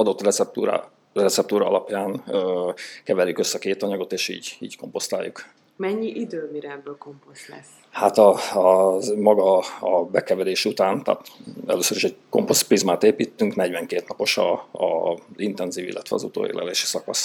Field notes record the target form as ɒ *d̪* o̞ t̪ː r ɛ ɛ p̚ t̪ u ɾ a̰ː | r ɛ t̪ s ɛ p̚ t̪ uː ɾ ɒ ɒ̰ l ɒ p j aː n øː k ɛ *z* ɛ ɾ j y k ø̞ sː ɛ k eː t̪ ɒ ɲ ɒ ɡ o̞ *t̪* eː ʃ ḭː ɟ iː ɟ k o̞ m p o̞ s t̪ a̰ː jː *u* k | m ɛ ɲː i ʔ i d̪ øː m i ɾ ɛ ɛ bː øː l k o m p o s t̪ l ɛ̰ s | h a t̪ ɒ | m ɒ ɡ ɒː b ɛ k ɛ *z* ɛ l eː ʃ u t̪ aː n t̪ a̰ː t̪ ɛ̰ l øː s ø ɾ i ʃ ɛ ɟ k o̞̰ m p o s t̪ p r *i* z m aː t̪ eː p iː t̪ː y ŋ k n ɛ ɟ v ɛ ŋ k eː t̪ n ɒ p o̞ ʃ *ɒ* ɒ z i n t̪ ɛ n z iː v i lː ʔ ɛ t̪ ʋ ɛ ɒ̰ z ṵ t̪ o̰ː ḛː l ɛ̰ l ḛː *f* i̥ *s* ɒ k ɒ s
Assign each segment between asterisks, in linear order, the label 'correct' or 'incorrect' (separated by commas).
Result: correct, incorrect, correct, correct, incorrect, correct, correct, incorrect, correct